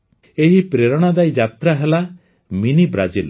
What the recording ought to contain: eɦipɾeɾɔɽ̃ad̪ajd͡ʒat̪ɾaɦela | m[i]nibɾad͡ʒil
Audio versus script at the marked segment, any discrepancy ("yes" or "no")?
no